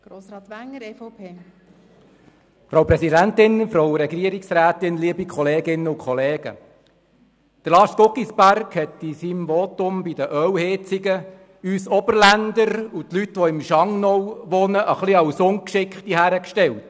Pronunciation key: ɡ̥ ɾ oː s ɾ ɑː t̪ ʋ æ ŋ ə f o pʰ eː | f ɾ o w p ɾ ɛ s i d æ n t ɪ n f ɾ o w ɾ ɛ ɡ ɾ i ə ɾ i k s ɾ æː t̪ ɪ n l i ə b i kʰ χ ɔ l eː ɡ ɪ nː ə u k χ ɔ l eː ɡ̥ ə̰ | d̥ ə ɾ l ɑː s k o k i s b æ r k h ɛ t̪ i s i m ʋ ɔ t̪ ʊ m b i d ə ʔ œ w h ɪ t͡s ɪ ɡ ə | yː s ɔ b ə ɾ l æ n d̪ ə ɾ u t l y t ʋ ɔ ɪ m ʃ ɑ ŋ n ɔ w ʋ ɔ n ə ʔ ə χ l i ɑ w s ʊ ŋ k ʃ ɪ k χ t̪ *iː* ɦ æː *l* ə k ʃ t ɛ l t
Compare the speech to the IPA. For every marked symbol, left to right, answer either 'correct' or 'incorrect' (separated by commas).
incorrect, incorrect